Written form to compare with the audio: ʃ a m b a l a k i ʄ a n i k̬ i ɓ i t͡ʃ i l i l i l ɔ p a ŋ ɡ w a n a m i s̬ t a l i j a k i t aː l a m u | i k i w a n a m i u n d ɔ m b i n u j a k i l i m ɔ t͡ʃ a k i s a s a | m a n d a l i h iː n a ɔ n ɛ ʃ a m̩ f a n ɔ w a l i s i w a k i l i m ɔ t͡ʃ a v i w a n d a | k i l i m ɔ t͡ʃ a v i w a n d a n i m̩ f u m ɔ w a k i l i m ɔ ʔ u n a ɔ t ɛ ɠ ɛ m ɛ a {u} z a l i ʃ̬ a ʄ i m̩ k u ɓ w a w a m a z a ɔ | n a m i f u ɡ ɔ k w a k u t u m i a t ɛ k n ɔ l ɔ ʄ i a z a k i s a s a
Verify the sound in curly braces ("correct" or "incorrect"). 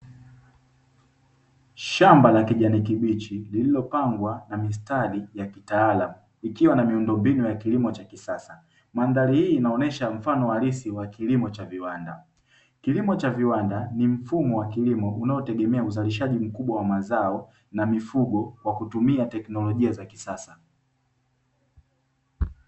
correct